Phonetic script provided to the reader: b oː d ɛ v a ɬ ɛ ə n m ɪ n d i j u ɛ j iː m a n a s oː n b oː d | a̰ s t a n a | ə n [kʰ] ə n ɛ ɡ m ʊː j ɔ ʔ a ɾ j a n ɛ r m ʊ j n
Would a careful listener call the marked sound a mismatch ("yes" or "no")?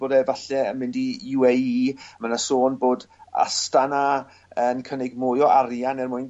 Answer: no